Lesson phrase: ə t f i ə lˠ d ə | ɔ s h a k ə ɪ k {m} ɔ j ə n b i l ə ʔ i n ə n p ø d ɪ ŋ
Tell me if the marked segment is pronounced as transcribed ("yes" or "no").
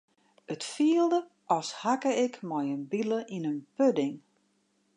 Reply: yes